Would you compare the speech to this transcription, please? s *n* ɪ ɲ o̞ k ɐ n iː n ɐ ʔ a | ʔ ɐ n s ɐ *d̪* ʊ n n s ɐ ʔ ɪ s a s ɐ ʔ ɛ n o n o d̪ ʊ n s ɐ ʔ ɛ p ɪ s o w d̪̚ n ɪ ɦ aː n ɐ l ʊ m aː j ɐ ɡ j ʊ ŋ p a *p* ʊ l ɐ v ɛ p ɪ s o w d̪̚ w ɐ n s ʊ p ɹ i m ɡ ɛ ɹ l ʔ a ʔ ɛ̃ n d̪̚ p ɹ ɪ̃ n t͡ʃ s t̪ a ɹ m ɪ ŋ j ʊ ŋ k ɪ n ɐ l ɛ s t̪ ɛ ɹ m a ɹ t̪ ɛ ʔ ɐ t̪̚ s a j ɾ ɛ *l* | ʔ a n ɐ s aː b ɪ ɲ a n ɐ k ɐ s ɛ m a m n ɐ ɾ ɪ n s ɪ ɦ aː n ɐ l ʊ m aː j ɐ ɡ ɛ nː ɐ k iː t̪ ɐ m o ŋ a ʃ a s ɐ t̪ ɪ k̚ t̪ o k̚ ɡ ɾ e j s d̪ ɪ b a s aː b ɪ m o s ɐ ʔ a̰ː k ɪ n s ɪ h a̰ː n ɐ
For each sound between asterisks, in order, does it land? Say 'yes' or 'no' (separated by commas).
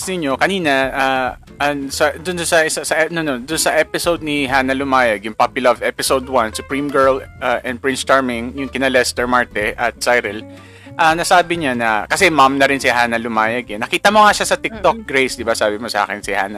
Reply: yes, yes, yes, yes